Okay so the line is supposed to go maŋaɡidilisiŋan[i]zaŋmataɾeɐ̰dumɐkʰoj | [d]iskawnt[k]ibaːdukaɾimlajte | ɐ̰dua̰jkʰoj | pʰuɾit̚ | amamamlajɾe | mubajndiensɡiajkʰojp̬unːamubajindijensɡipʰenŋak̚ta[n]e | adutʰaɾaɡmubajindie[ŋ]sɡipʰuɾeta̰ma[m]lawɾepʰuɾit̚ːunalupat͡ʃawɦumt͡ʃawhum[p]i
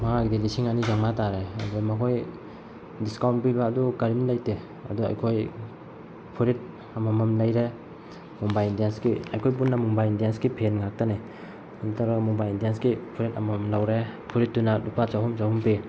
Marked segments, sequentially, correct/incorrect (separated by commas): correct, correct, incorrect, correct, incorrect, correct, correct